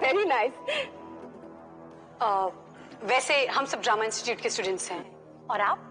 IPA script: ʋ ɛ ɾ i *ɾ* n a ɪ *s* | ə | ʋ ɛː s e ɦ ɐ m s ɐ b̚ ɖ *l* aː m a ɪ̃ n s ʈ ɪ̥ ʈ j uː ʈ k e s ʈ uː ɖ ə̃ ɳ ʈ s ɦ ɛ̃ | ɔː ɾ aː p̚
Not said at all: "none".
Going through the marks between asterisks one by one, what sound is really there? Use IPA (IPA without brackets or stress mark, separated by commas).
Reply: none, s, ɾ